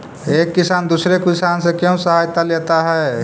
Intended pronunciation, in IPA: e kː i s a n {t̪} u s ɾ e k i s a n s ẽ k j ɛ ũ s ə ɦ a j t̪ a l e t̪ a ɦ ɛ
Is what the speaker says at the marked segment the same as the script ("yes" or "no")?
no